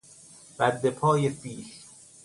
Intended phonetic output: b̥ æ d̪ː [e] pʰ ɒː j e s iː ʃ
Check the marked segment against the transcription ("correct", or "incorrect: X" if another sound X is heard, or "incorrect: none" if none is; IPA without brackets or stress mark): correct